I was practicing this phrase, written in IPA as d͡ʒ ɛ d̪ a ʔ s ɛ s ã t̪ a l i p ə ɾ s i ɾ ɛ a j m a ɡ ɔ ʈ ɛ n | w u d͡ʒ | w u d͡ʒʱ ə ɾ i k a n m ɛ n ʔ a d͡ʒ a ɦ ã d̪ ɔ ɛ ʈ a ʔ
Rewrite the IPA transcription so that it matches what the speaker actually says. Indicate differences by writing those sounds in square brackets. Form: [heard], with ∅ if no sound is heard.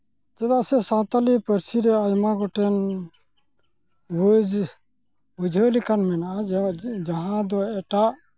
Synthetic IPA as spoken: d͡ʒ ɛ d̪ a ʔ s ɛ s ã t̪ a l i p ə ɾ s i ɾ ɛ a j m a ɡ ɔ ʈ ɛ n | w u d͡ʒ | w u d͡ʒʱ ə [l] i k a n m ɛ n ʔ a d͡ʒ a ɦ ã d̪ ɔ ɛ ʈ a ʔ